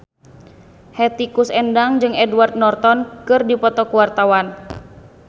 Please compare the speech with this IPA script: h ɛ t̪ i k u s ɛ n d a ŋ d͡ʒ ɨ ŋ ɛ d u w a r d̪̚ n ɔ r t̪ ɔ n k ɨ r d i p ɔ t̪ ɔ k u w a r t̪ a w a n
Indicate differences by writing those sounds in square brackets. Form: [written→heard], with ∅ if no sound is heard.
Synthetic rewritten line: h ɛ t̪ i k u s ɛ n d a ŋ d͡ʒ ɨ ŋ ɛ d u w a r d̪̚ n ɔ r t̪ ɔ n k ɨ r d i p ɔ t̪ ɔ k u w a r t̪ a w a n